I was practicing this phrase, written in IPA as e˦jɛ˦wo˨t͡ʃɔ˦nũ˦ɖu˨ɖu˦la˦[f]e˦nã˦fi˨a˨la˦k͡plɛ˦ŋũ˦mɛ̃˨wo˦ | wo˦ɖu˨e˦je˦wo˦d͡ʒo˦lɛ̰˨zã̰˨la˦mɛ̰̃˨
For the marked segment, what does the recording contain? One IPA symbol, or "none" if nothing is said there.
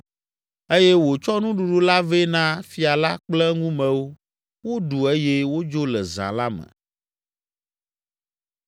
v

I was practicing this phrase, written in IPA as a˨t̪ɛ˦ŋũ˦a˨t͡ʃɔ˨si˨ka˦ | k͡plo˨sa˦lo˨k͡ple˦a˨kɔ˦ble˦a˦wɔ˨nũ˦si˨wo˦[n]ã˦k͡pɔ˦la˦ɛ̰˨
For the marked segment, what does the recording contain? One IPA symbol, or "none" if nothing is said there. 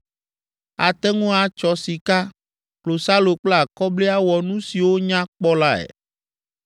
ɲ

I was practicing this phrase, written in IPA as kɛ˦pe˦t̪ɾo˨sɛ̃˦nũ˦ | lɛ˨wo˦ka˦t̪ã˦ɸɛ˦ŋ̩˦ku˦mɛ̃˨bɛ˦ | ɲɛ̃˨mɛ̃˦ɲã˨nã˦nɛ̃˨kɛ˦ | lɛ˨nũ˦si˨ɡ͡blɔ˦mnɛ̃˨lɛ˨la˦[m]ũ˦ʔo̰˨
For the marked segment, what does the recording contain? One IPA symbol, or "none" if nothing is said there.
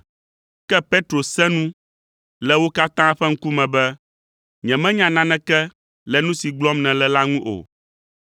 ŋ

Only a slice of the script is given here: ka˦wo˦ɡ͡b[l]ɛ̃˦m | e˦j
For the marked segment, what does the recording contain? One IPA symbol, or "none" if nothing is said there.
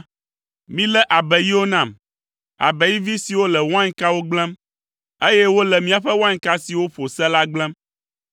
l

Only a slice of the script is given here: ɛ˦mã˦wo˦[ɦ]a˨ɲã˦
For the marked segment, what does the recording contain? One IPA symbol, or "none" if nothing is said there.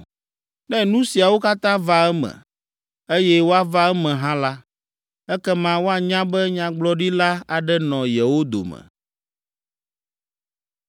none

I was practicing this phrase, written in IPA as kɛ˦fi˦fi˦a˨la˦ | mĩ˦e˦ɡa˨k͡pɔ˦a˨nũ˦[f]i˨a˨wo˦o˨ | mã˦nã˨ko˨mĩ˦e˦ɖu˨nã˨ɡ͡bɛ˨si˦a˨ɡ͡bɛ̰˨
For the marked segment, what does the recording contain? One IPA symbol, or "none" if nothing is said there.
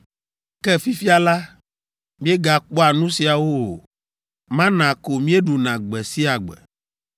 s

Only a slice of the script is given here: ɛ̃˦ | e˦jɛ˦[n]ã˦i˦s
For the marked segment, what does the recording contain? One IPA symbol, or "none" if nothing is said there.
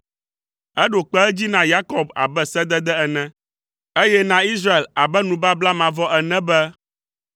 n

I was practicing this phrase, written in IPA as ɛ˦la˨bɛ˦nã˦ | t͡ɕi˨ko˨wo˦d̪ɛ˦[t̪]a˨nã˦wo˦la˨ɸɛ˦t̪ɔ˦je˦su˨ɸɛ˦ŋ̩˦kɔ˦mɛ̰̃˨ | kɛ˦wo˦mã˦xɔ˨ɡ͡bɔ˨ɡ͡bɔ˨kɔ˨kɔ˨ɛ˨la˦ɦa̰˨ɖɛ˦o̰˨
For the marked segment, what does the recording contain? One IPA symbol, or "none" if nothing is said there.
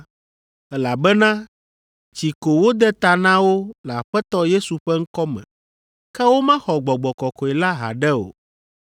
t̪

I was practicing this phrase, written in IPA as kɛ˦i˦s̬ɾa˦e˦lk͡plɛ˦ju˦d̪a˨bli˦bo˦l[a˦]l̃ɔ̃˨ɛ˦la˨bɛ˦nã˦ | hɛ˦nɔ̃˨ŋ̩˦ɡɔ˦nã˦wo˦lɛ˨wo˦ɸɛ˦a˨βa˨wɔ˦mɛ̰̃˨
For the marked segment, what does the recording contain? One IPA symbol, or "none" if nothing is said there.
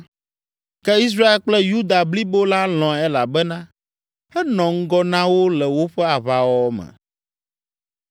a˦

